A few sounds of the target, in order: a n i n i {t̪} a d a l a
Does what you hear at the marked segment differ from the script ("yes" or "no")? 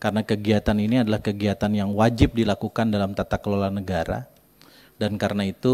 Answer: yes